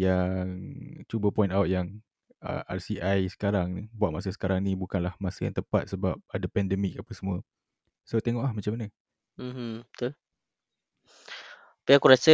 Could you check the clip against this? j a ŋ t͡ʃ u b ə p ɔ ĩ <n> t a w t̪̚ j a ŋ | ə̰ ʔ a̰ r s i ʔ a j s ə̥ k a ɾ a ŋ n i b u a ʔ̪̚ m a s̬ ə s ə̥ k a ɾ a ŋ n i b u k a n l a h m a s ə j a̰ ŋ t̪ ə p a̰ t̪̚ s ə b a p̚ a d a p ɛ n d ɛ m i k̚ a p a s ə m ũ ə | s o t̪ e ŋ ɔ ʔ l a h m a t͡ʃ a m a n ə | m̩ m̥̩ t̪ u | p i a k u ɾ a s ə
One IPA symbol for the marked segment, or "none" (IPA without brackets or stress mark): n